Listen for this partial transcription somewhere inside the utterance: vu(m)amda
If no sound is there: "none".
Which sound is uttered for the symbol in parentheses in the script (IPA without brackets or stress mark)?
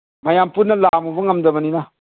ŋ